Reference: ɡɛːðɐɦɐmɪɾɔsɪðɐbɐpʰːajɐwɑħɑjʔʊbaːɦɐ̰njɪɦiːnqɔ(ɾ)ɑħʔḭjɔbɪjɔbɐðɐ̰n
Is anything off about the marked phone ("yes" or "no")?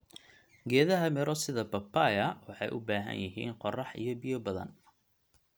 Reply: yes